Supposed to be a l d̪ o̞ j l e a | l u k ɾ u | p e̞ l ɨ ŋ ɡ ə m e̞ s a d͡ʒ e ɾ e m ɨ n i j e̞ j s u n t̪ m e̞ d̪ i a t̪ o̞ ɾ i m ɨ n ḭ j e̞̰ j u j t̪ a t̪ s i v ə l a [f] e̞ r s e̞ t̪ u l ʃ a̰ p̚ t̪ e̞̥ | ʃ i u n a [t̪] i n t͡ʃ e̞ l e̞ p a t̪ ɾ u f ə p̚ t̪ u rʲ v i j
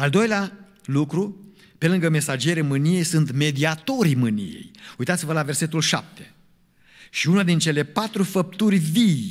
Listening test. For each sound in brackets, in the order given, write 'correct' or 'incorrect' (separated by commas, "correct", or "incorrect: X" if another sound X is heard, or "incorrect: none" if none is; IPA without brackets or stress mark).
incorrect: v, incorrect: d̪